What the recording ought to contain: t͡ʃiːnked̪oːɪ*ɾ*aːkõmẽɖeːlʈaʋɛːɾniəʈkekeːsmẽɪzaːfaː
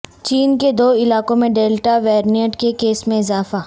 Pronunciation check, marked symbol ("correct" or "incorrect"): incorrect